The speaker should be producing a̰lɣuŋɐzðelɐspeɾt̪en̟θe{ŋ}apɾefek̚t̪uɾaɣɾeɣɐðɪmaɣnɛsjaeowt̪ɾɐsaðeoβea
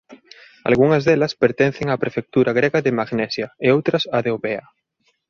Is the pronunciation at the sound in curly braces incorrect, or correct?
correct